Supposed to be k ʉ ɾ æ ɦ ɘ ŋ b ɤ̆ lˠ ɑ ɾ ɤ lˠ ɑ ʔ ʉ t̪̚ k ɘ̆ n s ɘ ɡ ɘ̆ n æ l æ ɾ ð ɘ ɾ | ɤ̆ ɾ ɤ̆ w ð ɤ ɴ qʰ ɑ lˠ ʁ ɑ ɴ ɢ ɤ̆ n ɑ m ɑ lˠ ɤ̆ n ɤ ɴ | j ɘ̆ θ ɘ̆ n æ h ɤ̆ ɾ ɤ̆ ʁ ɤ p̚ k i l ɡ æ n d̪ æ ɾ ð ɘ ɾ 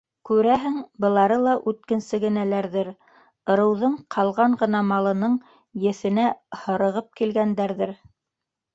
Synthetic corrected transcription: k ʉ ɾ æ ɦ ɘ ŋ b ɤ̆ lˠ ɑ ɾ ɤ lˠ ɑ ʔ ʉ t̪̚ k ɘ̆ n s ɘ ɡ ɘ̆ n æ l æ ɾ ð ɘ ɾ | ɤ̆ ɾ ɤ̆ w ð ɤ ɴ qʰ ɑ lˠ ʁ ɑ ɴ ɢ ɤ̆ n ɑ m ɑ lˠ ɤ̆ n ɤ ɴ | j ɘ̆ θ ɘ̆ n æ h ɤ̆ ɾ ɤ̆ ʁ ɤ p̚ k i l ɡ æ n d̪ æ ɾ ð ɘ ɾ

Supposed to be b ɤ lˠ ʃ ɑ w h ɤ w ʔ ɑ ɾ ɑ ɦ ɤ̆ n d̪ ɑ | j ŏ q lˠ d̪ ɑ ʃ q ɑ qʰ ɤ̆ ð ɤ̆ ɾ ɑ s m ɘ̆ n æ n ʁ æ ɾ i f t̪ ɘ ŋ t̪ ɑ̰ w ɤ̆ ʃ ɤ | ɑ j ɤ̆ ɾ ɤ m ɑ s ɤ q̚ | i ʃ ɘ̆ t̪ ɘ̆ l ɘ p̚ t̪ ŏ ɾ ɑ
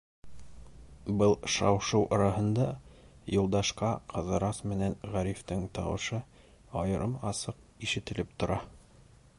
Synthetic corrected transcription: b ɤ lˠ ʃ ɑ w ʃ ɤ w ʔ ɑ ɾ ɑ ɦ ɤ̆ n d̪ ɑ | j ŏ lˠ d̪ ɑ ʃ q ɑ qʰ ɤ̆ ð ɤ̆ ɾ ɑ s m ɘ̆ n æ n ʁ æ ɾ i f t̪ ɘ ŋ t̪ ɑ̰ w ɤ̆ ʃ ɤ | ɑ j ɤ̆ ɾ ɤ m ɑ s ɤ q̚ | i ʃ ɘ̆ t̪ ɘ̆ l ɘ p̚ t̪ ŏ ɾ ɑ

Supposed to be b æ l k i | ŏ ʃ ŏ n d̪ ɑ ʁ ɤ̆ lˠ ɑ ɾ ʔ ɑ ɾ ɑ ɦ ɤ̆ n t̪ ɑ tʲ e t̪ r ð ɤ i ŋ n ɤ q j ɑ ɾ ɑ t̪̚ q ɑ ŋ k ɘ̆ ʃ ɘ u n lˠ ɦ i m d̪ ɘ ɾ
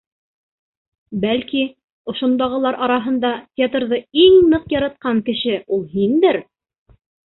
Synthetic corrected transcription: b æ l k i | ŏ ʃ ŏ n d̪ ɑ ʁ ɤ̆ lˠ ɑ ɾ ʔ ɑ ɾ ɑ ɦ ɤ̆ n d̪ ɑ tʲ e t̪ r ð ɤ i ŋ n ɤ q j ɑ ɾ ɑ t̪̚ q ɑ ŋ k ɘ̆ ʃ ɘ u lˠ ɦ i n d̪ ɘ ɾ

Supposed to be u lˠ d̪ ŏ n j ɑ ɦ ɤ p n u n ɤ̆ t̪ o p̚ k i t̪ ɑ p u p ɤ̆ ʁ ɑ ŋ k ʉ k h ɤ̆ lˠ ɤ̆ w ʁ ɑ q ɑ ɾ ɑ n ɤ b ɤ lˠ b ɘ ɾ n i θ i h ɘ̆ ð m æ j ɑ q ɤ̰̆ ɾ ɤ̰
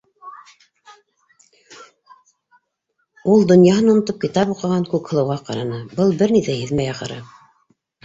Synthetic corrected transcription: u lˠ d̪ ŏ n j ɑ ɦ ɤ n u n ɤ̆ t̪ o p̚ k i t̪ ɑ p u q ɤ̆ ʁ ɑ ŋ k ʉ k h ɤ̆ lˠ ɤ̆ w ʁ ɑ q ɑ ɾ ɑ n ɤ b ɤ lˠ b ɘ ɾ n i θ æ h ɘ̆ ð m æ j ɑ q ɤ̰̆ ɾ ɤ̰

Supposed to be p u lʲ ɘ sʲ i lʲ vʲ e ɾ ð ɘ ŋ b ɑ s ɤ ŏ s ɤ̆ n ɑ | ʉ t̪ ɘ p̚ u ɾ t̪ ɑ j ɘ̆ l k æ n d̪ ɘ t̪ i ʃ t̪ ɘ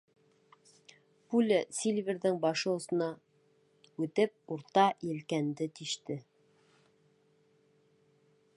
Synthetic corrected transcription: p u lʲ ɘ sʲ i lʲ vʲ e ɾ ð ɘ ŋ b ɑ ʃ ɤ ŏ s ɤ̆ n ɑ | ʉ t̪ ɘ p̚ u ɾ t̪ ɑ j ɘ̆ l k æ n d̪ ɘ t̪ i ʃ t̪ ɘ

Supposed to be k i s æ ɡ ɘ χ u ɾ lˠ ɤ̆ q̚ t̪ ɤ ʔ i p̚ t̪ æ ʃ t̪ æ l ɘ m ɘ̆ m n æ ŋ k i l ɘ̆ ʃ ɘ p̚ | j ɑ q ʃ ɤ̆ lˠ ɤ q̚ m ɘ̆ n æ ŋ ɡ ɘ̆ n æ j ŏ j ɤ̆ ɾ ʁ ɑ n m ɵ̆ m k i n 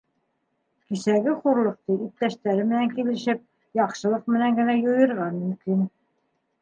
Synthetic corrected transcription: k i s æ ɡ ɘ χ u ɾ lˠ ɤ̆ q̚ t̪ ɤ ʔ i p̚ t̪ æ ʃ t̪ æ ɾ ɘ m ɘ̆ n æ ŋ k i l ɘ̆ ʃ ɘ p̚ | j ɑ q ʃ ɤ̆ lˠ ɤ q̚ m ɘ̆ n æ ŋ ɡ ɘ̆ n æ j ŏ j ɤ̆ ɾ ʁ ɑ n m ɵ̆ m k i n

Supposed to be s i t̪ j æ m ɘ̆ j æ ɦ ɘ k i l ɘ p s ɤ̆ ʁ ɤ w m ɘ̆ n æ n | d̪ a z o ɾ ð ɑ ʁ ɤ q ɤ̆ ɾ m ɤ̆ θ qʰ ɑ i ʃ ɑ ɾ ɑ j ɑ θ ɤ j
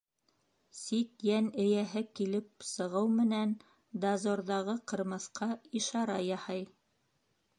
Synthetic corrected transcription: s i t̪ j æ n ɘ̆ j æ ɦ ɘ k i l ɘ p s ɤ̆ ʁ ɤ w m ɘ̆ n æ n | d̪ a z o ɾ ð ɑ ʁ ɤ q ɤ̆ ɾ m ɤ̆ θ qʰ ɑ i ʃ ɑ ɾ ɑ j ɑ h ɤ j

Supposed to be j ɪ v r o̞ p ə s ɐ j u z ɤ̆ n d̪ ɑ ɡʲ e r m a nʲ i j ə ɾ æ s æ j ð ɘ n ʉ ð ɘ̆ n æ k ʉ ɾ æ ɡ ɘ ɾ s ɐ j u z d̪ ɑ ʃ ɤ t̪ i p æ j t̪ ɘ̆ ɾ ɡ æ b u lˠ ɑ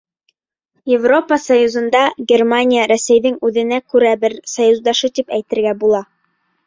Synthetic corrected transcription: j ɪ v r o̞ p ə s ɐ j u z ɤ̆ n d̪ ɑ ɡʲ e r m a nʲ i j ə ɾ æ s æ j ð ɘ ŋ ʉ ð ɘ̆ n æ k ʉ ɾ æ b ɘ ɾ s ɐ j u z d̪ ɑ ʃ ɤ t̪ i p æ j t̪ ɘ̆ ɾ ɡ æ b u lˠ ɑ

